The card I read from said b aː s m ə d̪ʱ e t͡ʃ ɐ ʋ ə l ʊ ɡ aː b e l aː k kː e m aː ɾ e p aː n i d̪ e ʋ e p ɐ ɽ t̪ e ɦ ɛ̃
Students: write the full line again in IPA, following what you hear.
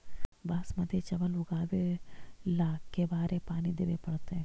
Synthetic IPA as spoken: b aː s m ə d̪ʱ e t͡ʃ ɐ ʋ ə l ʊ ɡ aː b e l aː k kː e b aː ɾ e p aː n i d̪ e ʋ e p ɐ ɽ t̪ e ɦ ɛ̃